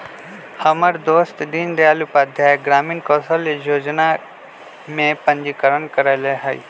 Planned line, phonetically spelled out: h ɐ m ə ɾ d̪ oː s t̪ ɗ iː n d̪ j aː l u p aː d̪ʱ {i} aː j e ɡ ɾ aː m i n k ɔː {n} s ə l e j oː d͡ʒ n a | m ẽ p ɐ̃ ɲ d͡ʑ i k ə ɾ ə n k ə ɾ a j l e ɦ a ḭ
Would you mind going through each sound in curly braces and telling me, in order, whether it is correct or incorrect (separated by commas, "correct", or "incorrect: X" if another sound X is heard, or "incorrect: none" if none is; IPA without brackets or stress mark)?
incorrect: j, incorrect: none